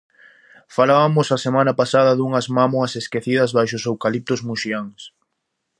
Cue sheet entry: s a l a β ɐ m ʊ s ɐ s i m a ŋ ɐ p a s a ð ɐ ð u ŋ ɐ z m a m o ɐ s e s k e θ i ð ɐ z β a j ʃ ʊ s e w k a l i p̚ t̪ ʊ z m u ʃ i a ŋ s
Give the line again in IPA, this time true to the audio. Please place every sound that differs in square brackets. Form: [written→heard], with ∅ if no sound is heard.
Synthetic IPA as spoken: [s→f] a l a β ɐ m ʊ s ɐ s [i→e] m a [ŋ→n] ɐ p a s a ð ɐ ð u ŋ ɐ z m a m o ɐ s e s k e θ i ð ɐ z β a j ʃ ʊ s e w k a l i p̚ t̪ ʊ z m u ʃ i a ŋ s